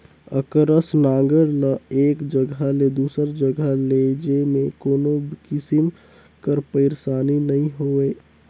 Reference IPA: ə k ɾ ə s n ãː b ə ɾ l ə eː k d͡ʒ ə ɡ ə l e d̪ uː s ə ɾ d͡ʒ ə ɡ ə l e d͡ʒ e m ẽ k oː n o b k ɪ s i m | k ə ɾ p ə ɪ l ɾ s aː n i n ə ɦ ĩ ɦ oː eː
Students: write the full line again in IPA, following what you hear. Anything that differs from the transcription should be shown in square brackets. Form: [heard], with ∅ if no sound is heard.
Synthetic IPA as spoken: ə k ɾ ə s n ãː [ɡ] ə ɾ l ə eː k d͡ʒ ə ɡ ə l e d̪ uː s ə ɾ d͡ʒ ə ɡ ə l e d͡ʒ e m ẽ k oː n o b k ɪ s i m | k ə ɾ p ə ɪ [∅] ɾ s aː n i n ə ɦ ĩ ɦ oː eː